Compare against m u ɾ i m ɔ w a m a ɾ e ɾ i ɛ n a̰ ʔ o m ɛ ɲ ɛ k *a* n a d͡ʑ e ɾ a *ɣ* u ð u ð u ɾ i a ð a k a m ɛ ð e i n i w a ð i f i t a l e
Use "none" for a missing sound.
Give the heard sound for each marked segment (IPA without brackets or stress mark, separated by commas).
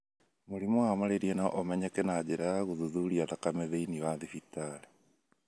ɛ, ɣ